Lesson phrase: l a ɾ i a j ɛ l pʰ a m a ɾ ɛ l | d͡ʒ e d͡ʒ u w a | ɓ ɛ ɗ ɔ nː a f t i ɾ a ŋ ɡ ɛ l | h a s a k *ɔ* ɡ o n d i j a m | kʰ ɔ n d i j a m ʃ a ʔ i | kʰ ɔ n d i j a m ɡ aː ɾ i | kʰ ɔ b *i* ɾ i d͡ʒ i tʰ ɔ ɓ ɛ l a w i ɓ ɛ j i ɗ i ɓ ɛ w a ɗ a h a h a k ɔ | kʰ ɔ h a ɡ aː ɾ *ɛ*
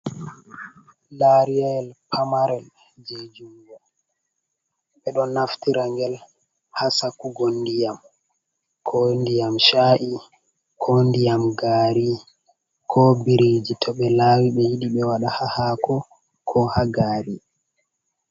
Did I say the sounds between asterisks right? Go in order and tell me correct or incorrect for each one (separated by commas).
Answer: incorrect, correct, incorrect